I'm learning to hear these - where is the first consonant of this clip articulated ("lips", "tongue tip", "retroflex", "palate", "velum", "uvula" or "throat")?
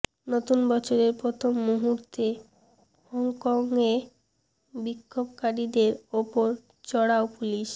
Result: tongue tip